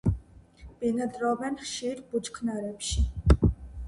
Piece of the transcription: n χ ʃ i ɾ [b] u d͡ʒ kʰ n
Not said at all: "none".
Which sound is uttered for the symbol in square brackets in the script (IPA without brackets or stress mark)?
b